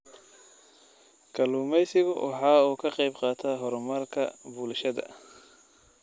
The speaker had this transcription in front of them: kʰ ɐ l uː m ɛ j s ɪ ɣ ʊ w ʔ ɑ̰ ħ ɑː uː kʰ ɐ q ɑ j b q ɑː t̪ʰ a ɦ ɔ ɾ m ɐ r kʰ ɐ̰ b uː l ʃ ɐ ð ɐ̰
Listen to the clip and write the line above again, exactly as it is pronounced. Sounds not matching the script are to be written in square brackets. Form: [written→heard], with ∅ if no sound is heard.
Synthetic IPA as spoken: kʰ ɐ l uː m ɛ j s ɪ ɣ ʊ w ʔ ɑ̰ ħ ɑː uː kʰ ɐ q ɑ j b q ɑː t̪ʰ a ɦ ɔ ɾ m ɐ r kʰ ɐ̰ b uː l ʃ ɐ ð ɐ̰